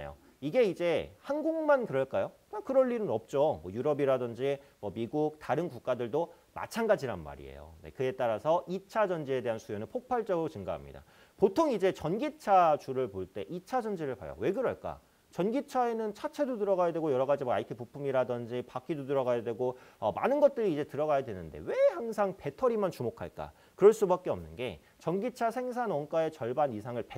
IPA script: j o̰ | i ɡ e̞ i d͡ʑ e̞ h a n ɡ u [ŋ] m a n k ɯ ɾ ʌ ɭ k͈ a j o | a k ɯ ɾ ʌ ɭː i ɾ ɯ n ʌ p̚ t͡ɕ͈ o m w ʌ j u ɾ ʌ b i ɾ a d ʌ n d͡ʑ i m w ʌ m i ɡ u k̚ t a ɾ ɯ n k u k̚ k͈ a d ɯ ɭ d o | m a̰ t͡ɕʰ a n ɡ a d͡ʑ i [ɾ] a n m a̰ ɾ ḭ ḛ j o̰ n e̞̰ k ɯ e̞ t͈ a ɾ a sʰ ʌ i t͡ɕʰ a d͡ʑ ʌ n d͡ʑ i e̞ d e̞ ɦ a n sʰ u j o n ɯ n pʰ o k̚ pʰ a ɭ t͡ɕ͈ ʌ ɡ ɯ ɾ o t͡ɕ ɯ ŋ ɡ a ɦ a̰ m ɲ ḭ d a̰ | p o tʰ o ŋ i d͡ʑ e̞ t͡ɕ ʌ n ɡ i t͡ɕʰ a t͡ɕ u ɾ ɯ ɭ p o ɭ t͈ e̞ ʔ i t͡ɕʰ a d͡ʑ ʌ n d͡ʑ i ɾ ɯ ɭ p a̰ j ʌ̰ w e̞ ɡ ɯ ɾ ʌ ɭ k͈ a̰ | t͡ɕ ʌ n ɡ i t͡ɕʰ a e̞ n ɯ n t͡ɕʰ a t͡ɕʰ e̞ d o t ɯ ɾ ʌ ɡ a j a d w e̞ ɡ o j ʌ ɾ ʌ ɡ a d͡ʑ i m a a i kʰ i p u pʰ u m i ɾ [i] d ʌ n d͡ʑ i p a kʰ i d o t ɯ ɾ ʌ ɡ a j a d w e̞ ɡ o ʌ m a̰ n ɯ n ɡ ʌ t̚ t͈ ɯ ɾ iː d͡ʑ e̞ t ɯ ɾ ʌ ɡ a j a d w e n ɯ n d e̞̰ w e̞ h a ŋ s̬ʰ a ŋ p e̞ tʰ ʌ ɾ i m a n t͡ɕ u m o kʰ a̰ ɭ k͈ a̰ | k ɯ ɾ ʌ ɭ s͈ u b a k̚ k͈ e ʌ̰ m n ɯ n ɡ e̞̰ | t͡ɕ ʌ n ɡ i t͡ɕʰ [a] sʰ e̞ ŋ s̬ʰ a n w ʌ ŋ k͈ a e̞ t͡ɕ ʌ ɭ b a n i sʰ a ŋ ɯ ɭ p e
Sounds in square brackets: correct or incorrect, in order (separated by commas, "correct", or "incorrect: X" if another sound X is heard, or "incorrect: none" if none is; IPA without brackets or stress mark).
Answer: correct, correct, incorrect: a, correct